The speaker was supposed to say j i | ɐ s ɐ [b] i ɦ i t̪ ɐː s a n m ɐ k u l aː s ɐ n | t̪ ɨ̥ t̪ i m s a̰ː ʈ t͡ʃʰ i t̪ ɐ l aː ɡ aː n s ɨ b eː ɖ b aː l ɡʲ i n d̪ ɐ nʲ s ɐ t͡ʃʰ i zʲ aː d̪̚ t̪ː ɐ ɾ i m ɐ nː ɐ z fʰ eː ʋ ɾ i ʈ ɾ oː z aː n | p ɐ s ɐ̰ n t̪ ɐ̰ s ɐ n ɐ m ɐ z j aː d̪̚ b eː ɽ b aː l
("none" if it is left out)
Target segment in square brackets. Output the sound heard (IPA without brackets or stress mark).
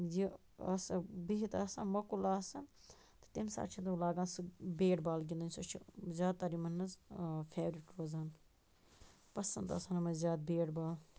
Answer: b